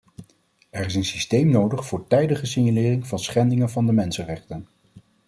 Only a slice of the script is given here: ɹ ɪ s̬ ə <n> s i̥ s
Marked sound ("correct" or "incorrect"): correct